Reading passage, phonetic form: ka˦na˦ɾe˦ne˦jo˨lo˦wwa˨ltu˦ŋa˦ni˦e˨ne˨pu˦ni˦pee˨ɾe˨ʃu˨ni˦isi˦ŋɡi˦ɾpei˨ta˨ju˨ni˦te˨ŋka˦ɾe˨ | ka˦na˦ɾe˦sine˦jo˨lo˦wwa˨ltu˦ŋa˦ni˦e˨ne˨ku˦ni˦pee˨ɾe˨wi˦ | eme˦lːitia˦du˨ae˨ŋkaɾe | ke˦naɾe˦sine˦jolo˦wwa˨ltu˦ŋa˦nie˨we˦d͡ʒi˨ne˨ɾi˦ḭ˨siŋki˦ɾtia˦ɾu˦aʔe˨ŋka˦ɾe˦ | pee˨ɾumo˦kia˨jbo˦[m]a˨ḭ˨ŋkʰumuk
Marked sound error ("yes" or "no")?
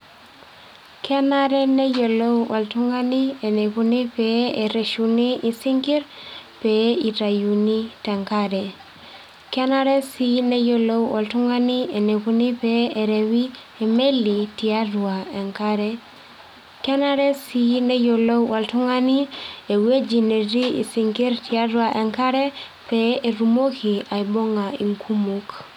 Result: yes